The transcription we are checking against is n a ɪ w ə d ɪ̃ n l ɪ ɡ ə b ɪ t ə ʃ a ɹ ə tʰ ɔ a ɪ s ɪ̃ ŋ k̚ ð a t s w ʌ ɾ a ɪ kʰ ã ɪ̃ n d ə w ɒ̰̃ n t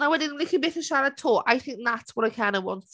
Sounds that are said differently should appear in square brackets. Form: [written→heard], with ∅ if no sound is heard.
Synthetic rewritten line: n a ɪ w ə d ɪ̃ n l ɪ [ɡ→k] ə b ɪ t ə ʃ a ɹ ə tʰ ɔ a ɪ [s→θ] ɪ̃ ŋ k̚ ð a t s w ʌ ɾ a ɪ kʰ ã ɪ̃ n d ə w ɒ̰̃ n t